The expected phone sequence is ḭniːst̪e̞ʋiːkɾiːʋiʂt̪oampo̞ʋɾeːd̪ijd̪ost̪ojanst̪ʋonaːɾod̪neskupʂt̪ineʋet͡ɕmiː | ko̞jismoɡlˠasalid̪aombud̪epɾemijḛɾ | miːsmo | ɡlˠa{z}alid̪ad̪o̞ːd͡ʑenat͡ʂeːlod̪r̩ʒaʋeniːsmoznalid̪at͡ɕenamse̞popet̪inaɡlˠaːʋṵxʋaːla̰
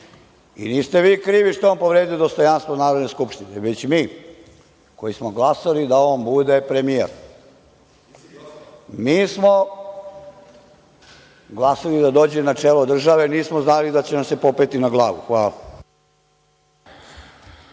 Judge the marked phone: incorrect: s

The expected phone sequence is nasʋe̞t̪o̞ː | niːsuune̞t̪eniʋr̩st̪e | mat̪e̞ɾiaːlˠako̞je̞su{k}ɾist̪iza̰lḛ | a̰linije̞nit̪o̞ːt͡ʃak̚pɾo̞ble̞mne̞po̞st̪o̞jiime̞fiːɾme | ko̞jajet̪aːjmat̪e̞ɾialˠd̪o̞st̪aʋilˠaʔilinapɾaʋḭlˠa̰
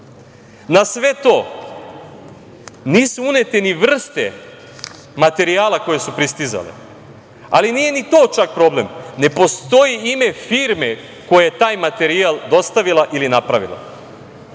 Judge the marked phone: incorrect: p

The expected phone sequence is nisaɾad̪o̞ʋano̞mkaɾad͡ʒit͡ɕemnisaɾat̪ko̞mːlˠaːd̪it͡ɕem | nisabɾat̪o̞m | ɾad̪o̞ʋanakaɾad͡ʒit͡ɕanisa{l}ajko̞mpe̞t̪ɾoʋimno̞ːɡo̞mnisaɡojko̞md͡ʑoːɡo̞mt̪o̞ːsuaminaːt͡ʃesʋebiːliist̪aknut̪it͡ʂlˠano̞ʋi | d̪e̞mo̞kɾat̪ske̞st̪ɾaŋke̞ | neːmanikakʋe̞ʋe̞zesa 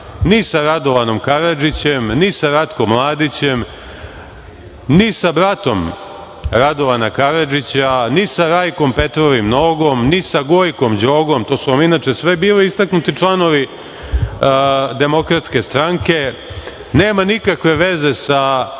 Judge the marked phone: incorrect: ɾ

